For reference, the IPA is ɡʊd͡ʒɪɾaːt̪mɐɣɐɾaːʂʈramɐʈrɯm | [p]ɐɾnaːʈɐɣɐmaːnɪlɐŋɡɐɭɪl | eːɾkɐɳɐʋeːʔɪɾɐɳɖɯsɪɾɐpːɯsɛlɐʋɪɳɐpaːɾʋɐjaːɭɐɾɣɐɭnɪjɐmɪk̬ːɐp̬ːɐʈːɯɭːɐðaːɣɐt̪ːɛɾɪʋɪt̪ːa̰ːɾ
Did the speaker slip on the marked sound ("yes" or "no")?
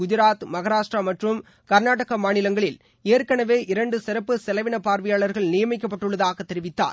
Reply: yes